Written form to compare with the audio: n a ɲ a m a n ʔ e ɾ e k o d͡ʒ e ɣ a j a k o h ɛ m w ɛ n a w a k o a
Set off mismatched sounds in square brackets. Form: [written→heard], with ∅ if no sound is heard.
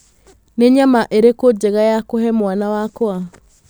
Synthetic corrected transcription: n [a→e] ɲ a m a [n→∅] ʔ e ɾ e k o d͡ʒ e ɣ a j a k o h ɛ m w [ɛ→a] n a w a k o a